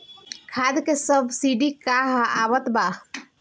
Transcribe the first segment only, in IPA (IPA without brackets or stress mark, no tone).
kʰ